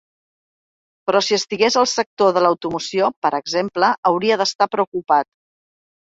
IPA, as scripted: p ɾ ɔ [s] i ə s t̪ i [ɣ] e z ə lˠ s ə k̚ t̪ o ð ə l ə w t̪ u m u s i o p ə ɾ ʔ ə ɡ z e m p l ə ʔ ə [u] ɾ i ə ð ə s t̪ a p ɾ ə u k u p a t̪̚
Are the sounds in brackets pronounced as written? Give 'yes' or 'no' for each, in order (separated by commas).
yes, yes, no